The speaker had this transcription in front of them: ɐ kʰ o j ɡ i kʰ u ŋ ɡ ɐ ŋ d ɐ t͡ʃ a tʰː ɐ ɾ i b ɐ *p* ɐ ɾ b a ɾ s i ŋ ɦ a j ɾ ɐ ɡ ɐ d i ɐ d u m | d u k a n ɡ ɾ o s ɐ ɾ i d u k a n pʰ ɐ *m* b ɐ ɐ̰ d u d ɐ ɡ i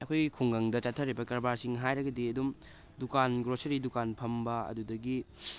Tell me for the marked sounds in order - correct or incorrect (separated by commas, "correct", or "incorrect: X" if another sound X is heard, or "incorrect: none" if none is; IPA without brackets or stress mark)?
incorrect: k, correct